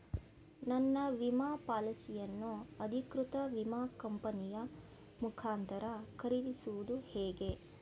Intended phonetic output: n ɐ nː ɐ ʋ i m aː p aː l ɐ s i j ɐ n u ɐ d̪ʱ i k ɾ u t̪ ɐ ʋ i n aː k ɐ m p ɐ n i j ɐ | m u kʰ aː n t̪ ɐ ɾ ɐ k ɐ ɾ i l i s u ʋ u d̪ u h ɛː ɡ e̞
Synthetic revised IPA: n ɐ nː ɐ ʋ i m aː p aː l ɐ s i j ɐ nː u ɐ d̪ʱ i k ɾ u t̪ ɐ ʋ i m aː k ɐ m p ɐ n i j ɐ | m u kʰ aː n t̪ ɐ ɾ ɐ k ɐ ɾ i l i s u ʋ u d̪ u h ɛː ɡ e̞